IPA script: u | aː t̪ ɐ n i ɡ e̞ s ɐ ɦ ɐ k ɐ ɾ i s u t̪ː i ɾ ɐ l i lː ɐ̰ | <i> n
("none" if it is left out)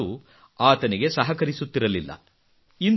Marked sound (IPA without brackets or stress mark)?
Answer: i